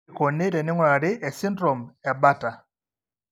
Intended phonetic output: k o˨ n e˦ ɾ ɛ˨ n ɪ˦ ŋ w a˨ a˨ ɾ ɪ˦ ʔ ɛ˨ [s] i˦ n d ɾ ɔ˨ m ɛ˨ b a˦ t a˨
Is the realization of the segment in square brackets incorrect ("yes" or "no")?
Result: no